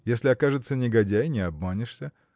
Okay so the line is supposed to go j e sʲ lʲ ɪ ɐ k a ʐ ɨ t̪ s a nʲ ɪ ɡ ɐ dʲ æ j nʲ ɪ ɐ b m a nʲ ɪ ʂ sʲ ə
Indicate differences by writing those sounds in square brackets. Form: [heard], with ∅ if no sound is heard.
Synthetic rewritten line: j e sʲ lʲ ɪ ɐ k a ʐ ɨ t̪ s [ə] nʲ ɪ ɡ ɐ dʲ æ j nʲ ɪ ɐ b m a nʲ ɪ ʂ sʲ ə